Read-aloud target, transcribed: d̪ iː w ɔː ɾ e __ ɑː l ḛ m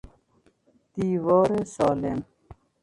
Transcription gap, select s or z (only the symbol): s